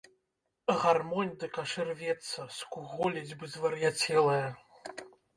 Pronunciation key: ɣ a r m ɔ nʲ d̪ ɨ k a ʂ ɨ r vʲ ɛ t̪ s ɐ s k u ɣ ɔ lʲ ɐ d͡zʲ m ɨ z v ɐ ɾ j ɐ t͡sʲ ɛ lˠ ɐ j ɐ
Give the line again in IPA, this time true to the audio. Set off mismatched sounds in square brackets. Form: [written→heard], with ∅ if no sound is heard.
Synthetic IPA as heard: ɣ a r m ɔ nʲ d̪ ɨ k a ʂ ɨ r vʲ ɛ t̪ s ɐ s k u ɣ ɔ lʲ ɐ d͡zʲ [m→b] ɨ z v ɐ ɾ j [ɐ→a] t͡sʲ ɛ lˠ ɐ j ɐ